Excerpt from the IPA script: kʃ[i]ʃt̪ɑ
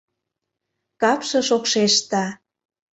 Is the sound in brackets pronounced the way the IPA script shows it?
no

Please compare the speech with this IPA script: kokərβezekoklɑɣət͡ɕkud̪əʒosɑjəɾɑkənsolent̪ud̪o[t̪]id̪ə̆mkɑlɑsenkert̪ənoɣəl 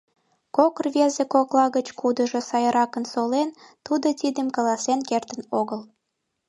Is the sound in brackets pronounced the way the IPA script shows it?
yes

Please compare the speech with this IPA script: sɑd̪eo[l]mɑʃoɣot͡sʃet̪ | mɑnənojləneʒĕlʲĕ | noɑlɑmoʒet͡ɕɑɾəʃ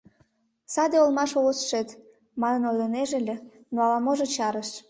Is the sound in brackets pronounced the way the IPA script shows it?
yes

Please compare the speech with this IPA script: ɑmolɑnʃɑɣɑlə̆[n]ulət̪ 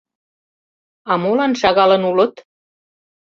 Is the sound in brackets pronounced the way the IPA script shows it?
yes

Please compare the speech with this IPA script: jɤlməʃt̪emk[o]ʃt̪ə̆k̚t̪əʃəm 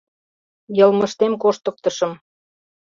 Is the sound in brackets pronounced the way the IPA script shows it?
yes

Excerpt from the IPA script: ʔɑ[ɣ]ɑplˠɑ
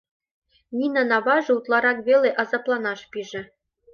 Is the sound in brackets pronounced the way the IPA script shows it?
no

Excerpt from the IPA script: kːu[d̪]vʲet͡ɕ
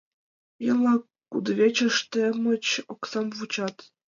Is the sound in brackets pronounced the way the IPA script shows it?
yes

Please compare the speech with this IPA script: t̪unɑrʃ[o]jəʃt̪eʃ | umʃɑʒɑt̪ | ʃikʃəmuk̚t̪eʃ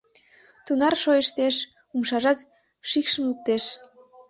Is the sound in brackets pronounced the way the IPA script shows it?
yes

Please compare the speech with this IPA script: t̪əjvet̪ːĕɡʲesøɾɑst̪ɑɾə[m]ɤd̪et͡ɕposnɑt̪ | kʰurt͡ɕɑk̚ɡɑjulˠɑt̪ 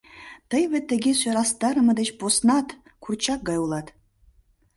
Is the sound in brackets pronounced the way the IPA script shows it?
yes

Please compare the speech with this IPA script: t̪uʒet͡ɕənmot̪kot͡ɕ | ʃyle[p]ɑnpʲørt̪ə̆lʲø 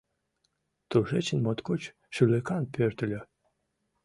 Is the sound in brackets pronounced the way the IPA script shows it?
no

